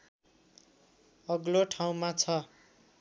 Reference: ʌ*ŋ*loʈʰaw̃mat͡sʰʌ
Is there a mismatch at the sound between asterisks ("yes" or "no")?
yes